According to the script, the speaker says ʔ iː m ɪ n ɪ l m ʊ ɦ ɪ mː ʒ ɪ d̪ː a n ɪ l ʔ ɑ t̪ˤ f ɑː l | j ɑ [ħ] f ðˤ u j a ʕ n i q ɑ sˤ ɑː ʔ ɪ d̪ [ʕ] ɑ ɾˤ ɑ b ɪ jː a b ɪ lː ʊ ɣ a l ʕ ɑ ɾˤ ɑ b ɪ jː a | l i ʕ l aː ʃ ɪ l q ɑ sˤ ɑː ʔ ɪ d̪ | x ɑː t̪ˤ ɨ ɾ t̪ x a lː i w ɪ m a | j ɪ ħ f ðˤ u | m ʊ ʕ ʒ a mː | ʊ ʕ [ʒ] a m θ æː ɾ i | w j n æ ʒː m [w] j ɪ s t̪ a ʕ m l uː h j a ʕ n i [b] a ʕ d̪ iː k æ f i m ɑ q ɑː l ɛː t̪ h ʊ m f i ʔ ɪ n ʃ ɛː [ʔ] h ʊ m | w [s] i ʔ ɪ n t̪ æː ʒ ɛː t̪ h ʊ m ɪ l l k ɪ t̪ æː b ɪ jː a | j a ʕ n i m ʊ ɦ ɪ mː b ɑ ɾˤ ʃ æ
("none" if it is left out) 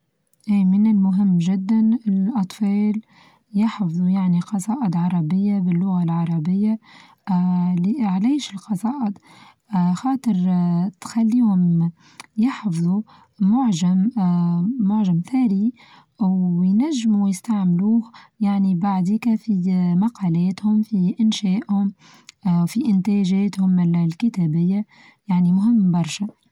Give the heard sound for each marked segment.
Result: ħ, ʕ, ʒ, u, b, ʔ, f

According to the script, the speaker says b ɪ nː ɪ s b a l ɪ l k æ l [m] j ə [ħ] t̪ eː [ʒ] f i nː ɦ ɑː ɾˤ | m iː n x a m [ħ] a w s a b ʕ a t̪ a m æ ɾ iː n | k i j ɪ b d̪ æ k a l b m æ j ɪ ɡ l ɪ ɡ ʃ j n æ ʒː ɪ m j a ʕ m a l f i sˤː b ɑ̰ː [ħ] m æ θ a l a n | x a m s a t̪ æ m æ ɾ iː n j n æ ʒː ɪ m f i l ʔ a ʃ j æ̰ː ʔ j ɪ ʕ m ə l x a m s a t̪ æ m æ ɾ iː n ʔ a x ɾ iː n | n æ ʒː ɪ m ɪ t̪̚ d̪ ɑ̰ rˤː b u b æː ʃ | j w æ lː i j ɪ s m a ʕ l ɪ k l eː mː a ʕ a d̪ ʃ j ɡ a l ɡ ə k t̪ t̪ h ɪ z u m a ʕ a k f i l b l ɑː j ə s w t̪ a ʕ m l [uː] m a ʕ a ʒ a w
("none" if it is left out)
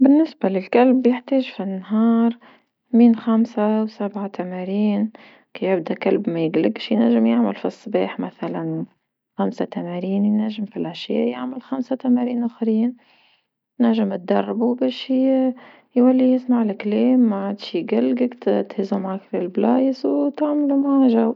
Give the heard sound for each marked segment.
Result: b, ħ, ʒ, s, ħ, u

